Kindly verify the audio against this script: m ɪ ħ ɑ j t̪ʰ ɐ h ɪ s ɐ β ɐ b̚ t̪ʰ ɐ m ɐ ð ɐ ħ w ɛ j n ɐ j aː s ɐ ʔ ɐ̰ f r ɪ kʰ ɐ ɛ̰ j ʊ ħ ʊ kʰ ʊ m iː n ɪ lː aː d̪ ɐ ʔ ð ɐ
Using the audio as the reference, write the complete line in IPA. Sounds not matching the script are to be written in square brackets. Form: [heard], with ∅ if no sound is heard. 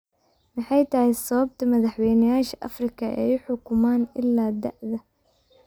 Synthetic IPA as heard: m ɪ ħ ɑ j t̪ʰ ɐ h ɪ s ɐ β ɐ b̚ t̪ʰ ɐ m ɐ ð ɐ ħ w ɛ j n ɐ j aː [ʃ] ɐ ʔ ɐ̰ f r ɪ kʰ ɐ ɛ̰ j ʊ ħ ʊ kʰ ʊ m [aː] n ɪ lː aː d̪ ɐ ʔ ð ɐ